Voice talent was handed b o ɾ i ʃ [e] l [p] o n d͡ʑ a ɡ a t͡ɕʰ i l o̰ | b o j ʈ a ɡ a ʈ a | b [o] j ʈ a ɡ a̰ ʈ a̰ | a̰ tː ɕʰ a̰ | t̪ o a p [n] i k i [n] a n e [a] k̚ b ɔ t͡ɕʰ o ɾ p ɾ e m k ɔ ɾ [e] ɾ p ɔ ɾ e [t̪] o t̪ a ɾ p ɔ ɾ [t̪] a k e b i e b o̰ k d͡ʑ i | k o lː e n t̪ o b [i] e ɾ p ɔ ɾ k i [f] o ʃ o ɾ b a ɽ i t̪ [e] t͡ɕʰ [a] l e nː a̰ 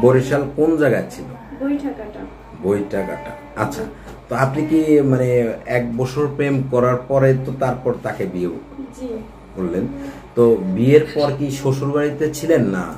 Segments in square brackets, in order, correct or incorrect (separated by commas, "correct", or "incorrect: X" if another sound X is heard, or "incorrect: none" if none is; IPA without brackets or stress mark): incorrect: a, incorrect: k, correct, correct, incorrect: m, incorrect: ɛ, incorrect: a, correct, correct, correct, incorrect: ʃ, correct, incorrect: i